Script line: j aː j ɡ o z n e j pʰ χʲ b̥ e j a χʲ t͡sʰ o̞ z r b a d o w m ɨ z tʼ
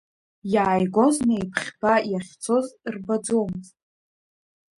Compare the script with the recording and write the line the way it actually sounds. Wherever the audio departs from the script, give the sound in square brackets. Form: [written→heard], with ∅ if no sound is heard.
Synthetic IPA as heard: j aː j ɡ o z n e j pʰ χʲ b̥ [e→a] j a χʲ t͡sʰ o̞ z r b a [d→d͡z] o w m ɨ z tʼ